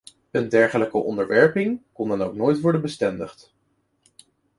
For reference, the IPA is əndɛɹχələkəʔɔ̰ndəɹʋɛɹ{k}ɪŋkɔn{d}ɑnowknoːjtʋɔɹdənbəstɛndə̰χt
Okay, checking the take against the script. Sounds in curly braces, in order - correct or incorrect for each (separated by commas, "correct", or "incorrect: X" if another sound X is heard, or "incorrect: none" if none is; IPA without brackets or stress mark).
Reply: incorrect: p, correct